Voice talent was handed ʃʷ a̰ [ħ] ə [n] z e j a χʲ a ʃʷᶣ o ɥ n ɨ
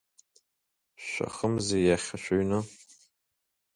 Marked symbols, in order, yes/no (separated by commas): no, no